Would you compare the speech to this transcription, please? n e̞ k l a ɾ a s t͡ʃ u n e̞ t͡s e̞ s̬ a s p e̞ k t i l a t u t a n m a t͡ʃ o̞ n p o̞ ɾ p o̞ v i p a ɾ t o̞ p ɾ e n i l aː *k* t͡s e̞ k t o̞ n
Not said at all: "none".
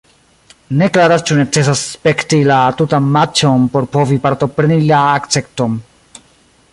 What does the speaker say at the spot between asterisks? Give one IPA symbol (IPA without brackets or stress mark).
k